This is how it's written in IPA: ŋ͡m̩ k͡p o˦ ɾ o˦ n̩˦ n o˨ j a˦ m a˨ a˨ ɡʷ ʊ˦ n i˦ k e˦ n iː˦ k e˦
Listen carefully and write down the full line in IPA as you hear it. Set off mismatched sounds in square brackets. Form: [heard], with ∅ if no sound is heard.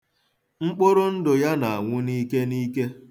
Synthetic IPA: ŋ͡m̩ k͡p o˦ ɾ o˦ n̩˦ [d] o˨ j a˦ [n] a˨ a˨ [ŋʷ] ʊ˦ n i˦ k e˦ n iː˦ k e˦